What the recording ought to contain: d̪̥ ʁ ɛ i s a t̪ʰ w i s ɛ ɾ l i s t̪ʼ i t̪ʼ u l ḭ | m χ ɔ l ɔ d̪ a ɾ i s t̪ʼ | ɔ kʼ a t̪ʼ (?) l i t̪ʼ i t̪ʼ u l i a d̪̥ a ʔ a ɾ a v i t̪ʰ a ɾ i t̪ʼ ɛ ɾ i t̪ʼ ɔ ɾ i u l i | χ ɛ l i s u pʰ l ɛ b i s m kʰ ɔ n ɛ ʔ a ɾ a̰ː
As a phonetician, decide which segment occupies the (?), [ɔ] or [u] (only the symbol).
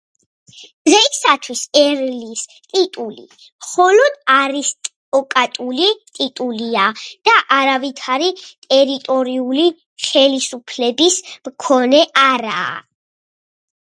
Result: u